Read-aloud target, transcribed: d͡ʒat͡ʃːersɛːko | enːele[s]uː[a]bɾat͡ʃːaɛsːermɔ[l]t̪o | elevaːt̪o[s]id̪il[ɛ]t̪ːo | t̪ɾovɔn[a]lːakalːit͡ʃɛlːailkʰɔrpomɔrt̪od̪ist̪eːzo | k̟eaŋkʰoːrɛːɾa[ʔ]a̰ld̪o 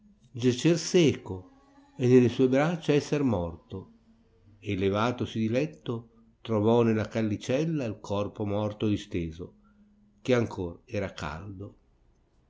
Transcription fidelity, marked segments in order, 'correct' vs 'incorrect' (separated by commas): correct, incorrect, incorrect, correct, correct, incorrect, incorrect